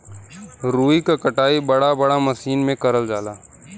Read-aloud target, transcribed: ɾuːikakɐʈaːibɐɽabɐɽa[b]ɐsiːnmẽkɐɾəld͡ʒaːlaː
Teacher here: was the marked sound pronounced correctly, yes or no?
no